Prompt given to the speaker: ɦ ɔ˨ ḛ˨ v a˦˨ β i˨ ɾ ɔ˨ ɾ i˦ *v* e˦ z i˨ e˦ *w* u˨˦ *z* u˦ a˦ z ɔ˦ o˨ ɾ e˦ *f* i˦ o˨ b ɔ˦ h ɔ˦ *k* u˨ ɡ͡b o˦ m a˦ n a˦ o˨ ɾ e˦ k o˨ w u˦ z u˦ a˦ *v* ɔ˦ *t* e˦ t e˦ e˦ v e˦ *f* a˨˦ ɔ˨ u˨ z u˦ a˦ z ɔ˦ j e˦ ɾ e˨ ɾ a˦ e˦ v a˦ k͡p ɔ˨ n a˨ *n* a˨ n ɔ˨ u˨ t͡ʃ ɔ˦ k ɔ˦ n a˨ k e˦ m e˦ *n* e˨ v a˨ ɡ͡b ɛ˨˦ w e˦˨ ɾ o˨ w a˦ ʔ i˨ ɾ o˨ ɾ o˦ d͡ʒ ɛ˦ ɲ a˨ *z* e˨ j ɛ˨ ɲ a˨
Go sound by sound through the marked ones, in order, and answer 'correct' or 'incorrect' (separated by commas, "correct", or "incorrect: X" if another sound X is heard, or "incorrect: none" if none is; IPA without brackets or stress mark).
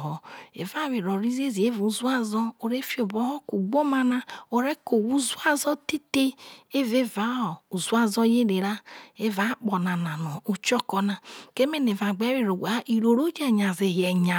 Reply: incorrect: z, incorrect: v, correct, correct, correct, incorrect: z, correct, incorrect: v, correct, correct, correct